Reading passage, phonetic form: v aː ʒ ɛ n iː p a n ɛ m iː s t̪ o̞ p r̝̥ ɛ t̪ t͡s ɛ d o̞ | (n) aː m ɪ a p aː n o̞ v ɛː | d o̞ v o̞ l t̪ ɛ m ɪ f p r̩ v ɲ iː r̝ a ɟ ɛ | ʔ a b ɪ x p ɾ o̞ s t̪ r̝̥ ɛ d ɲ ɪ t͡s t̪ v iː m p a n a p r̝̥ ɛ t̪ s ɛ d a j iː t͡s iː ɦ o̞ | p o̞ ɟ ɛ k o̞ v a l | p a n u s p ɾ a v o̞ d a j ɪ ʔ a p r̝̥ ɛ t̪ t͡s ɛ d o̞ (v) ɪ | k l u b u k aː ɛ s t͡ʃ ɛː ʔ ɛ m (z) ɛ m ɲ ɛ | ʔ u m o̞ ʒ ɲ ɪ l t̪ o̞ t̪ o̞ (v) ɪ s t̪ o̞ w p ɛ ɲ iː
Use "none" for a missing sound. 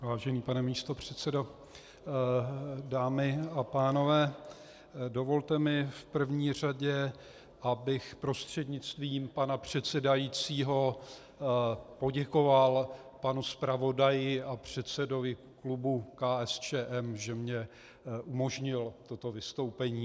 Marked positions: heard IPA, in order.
d, v, ʒ, v

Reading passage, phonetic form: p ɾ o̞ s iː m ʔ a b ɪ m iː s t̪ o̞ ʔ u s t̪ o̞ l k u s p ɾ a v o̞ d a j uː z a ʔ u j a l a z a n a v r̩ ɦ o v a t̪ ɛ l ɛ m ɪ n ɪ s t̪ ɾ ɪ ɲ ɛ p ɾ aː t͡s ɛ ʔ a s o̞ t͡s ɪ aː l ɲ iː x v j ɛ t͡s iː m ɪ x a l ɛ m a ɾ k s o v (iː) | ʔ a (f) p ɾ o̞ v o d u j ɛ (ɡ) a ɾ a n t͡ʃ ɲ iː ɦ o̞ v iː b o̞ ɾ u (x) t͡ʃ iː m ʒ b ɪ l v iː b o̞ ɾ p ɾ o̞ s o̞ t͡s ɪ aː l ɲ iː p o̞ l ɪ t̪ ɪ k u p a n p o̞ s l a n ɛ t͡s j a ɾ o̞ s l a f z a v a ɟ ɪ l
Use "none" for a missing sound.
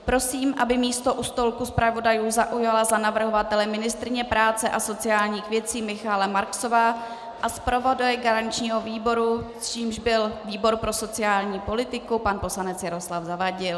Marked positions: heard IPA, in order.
aː, s, ɡ, s

